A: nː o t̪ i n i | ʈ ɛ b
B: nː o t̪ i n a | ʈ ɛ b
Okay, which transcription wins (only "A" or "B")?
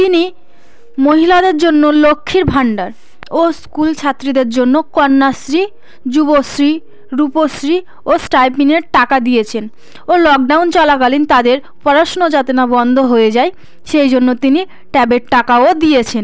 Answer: A